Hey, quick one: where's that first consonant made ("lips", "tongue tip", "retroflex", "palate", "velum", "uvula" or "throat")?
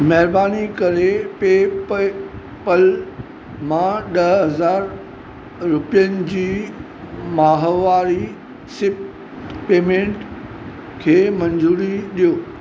lips